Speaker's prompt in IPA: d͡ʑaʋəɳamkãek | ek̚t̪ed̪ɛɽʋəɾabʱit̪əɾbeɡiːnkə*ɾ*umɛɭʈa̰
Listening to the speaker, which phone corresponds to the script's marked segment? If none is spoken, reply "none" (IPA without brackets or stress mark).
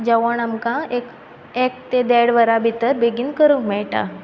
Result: ɾ